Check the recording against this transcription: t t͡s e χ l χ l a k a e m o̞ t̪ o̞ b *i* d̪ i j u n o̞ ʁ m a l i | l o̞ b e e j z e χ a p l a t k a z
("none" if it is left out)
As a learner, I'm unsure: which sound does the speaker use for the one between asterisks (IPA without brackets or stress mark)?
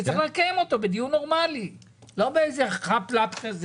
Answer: e